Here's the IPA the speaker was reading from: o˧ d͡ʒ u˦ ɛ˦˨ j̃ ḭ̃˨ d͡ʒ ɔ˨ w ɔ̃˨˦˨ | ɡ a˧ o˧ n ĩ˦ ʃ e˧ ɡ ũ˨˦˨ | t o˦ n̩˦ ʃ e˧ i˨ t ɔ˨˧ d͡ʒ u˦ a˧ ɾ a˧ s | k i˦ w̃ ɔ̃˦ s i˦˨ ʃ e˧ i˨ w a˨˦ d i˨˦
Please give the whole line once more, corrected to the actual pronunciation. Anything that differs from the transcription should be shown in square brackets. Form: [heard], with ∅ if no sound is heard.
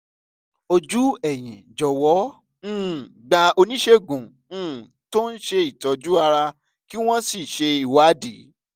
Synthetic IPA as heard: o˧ d͡ʒ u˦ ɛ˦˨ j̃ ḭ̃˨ d͡ʒ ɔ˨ w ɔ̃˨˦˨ | [ɡ͡b] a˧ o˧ n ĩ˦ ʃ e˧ ɡ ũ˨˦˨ | t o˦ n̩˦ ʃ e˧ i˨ t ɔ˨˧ d͡ʒ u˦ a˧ ɾ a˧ [∅] | k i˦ w̃ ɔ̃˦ s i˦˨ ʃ e˧ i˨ w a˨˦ d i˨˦